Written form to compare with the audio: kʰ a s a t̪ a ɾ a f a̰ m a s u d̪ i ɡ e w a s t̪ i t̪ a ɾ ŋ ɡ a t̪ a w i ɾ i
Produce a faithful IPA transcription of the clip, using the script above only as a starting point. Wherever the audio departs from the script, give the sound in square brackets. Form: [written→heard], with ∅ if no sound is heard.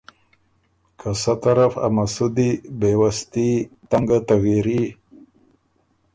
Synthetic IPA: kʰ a s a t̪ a ɾ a f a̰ m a s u d̪ i [ɡ→b] e w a s t̪ i t̪ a [ɾ→∅] ŋ ɡ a t̪ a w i ɾ i